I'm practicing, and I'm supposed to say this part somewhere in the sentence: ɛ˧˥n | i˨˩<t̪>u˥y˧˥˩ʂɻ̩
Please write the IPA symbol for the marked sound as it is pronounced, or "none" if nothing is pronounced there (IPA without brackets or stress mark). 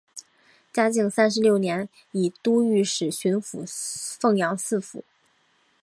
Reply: t̪